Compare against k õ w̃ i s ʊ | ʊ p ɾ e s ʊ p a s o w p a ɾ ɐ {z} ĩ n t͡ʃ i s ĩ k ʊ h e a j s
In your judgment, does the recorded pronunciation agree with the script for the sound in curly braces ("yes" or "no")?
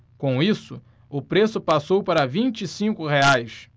no